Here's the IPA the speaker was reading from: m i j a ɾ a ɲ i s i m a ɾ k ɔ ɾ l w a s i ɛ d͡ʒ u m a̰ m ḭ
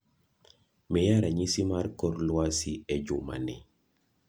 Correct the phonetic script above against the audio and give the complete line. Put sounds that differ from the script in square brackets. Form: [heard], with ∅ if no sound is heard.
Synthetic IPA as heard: m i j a ɾ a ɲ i s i m a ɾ k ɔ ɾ l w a s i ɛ d͡ʒ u m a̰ [n] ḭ